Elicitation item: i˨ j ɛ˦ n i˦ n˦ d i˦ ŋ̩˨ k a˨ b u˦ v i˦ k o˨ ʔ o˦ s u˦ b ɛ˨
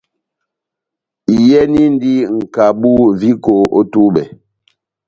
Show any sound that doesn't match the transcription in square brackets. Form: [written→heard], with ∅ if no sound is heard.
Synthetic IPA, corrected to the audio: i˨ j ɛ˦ n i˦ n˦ d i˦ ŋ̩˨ k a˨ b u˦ v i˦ k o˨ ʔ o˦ [s→t] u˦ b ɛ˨